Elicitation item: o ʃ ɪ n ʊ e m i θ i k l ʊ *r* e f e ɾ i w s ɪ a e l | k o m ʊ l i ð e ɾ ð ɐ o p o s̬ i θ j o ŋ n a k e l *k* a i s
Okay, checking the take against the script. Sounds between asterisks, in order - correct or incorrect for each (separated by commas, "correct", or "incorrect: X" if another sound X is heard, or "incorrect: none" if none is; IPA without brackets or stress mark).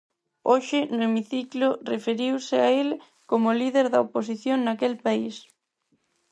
correct, incorrect: p